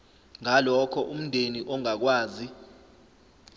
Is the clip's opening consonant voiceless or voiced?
voiced